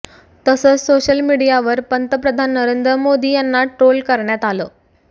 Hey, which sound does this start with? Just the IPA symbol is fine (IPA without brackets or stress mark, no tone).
t̪